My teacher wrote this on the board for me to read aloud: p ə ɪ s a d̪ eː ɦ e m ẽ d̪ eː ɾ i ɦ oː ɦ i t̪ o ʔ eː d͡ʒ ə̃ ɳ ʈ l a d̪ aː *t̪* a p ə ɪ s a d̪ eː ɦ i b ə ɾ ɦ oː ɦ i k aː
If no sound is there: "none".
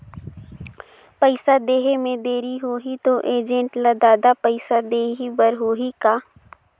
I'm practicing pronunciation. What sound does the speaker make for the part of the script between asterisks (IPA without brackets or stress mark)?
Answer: d̪